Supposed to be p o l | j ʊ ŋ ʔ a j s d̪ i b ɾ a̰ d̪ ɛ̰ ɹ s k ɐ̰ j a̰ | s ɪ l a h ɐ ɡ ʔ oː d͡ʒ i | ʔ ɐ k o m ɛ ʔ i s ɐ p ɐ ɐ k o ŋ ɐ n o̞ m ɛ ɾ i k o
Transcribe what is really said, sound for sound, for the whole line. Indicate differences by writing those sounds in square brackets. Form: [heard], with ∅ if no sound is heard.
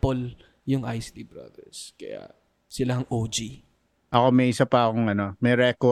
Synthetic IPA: p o l | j ʊ ŋ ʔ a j s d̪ i b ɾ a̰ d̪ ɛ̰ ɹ s k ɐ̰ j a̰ | s ɪ l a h ɐ [ŋ] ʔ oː d͡ʒ i | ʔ ɐ k o m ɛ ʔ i s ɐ p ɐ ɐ k o ŋ ɐ n o̞ m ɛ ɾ [ɛ] k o